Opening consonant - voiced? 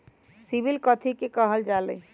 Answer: no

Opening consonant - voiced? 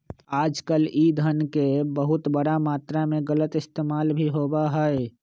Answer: yes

